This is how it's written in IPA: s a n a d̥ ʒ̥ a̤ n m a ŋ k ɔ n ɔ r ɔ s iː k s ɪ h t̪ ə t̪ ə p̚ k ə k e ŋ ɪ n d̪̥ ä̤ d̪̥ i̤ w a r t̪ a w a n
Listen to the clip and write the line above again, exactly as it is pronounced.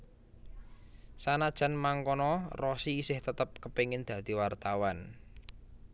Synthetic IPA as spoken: s a n a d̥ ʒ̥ a̤ n m a ŋ k ɔ n ɔ r ɔ s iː s ɪ h t̪ ə t̪ ə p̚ k ə p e ŋ ɪ n d̪̥ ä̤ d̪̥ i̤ w a r t̪ a w a n